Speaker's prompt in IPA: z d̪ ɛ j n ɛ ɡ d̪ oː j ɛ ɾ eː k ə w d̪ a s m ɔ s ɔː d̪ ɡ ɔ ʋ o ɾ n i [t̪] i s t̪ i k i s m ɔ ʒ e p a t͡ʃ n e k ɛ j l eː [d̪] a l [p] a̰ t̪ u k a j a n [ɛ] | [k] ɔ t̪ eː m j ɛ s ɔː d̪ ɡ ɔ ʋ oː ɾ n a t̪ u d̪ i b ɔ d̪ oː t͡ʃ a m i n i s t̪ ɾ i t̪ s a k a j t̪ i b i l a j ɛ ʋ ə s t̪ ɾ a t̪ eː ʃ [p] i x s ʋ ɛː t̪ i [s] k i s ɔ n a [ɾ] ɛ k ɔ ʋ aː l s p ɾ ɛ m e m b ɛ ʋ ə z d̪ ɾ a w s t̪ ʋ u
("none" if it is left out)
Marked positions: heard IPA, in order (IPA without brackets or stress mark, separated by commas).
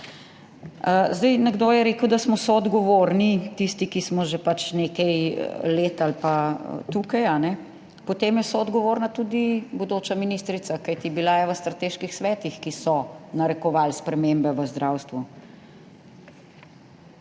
t̪, t̪, p, ɛ, p, k, x, ɾ